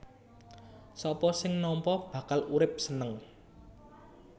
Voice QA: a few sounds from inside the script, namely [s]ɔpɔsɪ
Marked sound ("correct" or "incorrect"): correct